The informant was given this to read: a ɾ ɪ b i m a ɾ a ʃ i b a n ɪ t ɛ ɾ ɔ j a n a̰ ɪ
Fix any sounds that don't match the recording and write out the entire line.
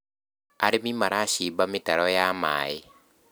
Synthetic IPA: a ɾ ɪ m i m a ɾ a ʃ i b a m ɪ t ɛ ɾ ɔ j a m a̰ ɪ